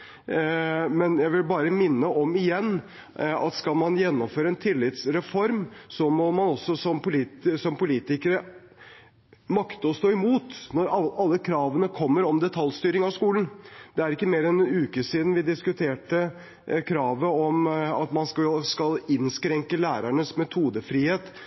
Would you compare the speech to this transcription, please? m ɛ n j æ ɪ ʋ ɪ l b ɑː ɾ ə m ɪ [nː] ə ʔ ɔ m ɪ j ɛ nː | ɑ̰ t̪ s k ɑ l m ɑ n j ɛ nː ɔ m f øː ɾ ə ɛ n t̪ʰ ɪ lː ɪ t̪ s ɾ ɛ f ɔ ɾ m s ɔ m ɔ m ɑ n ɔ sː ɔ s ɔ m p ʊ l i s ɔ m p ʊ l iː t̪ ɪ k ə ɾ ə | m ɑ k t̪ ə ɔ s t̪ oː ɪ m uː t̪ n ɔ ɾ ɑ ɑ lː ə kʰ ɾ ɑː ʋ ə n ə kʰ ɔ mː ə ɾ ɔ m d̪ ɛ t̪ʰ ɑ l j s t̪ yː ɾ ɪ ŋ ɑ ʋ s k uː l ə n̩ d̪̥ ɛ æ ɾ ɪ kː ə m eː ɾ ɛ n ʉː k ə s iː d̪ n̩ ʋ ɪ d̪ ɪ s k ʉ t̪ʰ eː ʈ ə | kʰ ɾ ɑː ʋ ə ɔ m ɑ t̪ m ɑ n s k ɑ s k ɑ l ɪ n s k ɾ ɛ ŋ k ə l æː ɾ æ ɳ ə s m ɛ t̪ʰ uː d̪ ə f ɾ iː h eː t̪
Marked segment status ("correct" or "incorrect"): correct